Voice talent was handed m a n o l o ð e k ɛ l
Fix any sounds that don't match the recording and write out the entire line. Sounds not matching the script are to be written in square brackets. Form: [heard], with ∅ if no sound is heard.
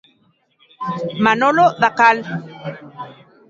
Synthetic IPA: m a n o l o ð [a] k [a] l